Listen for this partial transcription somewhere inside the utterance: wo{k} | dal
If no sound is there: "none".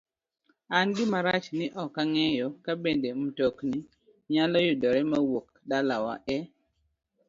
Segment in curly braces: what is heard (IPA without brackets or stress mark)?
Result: k